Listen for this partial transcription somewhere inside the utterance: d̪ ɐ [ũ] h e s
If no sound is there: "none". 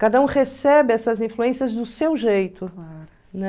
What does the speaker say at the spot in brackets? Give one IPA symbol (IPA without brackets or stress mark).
ũ